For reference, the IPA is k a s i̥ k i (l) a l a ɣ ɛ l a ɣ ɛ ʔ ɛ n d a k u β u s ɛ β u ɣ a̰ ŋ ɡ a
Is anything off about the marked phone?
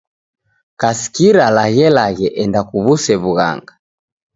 yes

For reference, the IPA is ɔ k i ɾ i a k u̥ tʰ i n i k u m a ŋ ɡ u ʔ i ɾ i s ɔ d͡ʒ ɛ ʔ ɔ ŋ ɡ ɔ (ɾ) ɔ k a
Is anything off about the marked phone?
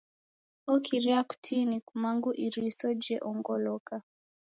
yes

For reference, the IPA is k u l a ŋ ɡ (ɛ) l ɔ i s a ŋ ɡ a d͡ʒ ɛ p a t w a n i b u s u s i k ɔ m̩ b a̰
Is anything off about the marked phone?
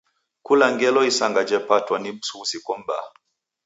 no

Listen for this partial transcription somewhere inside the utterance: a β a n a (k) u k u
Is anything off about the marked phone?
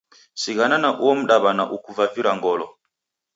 yes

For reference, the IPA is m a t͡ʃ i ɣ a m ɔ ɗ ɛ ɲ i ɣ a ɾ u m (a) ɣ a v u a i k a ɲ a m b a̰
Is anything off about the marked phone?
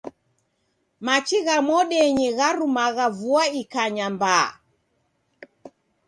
no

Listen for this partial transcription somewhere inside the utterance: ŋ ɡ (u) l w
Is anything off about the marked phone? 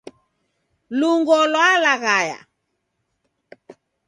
yes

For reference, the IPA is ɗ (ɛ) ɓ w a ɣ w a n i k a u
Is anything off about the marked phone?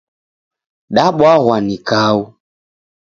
yes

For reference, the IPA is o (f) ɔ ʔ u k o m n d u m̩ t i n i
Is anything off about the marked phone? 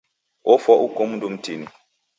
no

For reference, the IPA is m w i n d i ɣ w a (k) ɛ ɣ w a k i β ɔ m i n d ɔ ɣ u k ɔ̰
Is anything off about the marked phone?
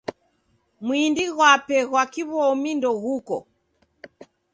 yes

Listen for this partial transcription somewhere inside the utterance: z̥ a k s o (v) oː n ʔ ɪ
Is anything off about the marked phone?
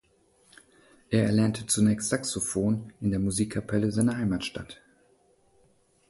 yes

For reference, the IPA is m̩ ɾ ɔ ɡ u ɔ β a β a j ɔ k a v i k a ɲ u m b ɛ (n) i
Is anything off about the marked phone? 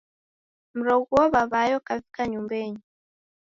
yes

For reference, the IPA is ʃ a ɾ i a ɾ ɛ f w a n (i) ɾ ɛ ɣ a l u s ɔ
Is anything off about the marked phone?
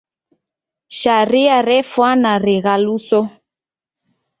yes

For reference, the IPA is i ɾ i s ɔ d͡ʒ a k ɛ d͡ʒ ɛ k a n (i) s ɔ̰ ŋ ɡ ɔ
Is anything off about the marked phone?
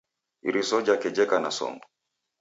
yes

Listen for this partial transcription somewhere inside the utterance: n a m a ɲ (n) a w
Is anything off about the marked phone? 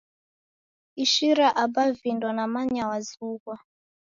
yes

